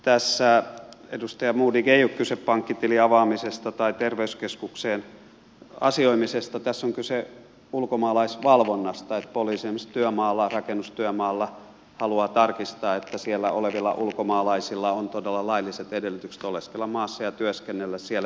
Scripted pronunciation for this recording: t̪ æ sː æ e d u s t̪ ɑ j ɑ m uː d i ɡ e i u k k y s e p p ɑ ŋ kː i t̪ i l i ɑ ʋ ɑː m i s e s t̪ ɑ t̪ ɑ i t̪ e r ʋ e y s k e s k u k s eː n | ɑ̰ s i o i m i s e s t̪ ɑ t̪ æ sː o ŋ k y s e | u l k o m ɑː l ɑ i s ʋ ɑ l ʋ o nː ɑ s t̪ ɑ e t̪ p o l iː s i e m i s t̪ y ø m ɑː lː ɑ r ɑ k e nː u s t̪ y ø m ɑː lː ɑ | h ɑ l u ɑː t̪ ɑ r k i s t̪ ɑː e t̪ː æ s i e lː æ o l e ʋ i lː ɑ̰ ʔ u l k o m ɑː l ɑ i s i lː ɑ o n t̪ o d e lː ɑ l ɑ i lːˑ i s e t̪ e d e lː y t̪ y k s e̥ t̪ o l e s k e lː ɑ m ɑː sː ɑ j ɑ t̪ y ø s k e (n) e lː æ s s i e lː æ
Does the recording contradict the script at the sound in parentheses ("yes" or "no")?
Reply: yes